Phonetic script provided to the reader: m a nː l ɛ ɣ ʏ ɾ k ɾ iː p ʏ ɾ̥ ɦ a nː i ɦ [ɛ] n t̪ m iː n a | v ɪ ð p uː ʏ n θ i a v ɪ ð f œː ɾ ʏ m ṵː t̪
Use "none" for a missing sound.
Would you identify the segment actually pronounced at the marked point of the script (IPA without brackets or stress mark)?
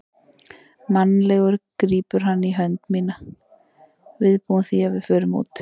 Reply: œ